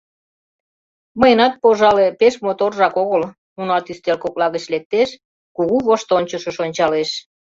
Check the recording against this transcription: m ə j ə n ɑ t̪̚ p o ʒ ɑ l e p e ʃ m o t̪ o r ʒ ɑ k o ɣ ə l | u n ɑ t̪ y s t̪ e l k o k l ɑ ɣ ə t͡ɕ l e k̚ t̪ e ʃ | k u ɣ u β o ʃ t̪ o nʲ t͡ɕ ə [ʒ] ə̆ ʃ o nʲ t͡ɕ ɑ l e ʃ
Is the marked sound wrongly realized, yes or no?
yes